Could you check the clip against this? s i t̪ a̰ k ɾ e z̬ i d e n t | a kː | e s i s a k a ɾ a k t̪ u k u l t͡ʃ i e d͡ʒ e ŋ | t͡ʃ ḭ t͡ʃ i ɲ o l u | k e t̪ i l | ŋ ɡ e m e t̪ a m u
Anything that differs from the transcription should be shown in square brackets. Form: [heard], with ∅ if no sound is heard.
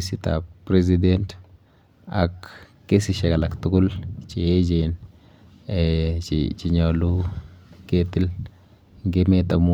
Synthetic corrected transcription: s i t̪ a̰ [p] ɾ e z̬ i d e n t | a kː | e s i [ʃ] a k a [l] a k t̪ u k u l t͡ʃ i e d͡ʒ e [n] | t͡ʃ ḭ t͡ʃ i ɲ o l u | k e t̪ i l | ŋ ɡ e m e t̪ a m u